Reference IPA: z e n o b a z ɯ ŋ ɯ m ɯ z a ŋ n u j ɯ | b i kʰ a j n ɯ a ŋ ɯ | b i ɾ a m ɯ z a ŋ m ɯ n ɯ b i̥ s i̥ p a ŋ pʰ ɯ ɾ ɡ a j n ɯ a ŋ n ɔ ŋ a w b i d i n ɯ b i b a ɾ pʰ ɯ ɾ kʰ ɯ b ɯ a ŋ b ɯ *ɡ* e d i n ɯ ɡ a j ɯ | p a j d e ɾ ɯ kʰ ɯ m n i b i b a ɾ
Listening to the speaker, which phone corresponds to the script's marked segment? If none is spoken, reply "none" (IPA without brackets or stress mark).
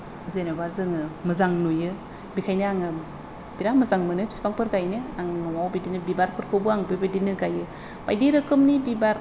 b